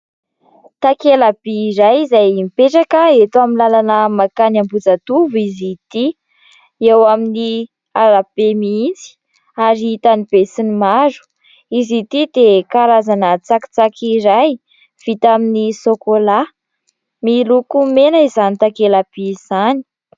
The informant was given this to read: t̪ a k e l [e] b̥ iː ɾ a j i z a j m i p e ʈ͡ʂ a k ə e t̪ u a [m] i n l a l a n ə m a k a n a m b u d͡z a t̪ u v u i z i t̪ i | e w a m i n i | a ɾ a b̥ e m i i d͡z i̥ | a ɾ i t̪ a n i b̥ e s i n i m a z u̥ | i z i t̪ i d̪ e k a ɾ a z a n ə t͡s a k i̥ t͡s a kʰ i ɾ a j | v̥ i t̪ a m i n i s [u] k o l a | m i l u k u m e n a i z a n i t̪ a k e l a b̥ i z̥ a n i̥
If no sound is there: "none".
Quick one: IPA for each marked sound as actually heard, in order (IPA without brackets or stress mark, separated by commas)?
a, m, o